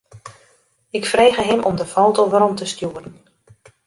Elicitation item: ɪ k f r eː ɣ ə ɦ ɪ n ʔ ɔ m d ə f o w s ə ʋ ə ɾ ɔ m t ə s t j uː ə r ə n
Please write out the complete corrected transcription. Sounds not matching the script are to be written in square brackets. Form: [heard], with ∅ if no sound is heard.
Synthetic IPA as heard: ɪ k f r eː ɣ ə ɦ ɪ [m] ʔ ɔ m d ə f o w [t] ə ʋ ə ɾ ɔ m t ə s t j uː ə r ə n